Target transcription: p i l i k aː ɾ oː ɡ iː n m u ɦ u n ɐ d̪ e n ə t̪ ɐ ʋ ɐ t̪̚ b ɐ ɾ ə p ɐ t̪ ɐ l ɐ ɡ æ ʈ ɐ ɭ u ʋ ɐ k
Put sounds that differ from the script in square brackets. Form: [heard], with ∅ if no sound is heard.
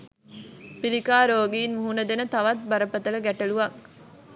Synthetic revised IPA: p i l i k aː ɾ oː ɡ iː n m u ɦ u n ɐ d̪ e n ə t̪ ɐ ʋ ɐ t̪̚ b ɐ ɾ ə p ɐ t̪ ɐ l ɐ ɡ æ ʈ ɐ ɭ u ʋ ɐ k